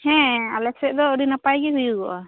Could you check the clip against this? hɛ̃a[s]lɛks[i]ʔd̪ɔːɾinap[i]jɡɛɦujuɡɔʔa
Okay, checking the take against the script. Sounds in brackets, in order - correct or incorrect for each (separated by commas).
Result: incorrect, incorrect, incorrect